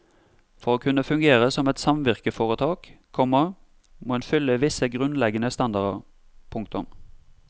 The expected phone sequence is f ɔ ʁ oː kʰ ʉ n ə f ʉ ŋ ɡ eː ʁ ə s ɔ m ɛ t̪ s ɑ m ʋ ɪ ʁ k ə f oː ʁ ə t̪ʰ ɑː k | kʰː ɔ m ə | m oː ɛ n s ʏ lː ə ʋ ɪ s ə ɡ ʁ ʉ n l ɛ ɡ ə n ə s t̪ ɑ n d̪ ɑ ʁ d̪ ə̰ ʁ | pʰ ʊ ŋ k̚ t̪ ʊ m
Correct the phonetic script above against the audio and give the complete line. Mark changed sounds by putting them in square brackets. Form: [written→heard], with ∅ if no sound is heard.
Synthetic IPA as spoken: f ɔ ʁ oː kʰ ʉ n ə f ʉ ŋ ɡ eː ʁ ə s ɔ m ɛ t̪ s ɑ m ʋ ɪ ʁ k ə f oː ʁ ə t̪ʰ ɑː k | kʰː ɔ m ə | m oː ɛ n [s→f] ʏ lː ə ʋ ɪ s ə ɡ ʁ ʉ n l ɛ ɡ ə n ə s t̪ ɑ n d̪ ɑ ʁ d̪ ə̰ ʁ | pʰ ʊ ŋ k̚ t̪ ʊ m

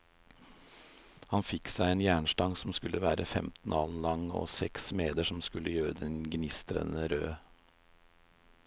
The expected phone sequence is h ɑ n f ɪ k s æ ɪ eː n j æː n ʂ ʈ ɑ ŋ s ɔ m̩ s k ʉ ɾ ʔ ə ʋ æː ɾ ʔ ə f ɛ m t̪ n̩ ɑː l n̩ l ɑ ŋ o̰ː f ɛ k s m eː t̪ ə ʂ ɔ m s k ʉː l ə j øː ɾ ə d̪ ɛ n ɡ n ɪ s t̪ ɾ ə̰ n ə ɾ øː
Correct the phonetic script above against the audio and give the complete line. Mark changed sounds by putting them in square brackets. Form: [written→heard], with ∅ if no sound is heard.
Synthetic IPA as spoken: h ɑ n f ɪ k s æ ɪ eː n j æː [n→ɳ] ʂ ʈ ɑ ŋ s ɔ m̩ s k ʉ [ɾ→l] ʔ ə ʋ æː ɾ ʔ ə f ɛ m t̪ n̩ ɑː l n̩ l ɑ ŋ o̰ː [f→s] ɛ k s m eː [t̪→d̪] ə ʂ ɔ m s k [ʉː→ʉ] l ə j øː ɾ ə d̪ ɛ n ɡ n ɪ s t̪ ɾ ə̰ n ə ɾ øː

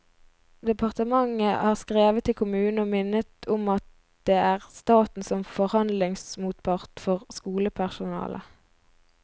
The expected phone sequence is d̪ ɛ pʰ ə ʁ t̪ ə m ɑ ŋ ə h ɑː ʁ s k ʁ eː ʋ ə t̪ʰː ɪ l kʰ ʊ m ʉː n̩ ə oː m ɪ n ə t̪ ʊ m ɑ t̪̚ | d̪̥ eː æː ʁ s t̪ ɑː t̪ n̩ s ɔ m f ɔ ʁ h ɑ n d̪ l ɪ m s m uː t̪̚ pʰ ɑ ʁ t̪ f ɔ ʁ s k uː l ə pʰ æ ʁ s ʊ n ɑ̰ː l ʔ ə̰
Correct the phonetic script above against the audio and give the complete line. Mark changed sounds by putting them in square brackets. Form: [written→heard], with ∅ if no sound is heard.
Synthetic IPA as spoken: d̪ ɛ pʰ [ə→ɑ] ʁ t̪ ə m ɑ ŋ ə h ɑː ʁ s k ʁ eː ʋ ə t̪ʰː ɪ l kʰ ʊ m ʉː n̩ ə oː m ɪ n ə t̪ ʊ m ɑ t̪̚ | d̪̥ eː æː ʁ s t̪ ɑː t̪ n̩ s ɔ m f ɔ ʁ h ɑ n d̪ l ɪ [m→ŋ] s m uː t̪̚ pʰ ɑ ʁ t̪ f ɔ ʁ s k uː l ə pʰ æ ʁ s ʊ n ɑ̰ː l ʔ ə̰

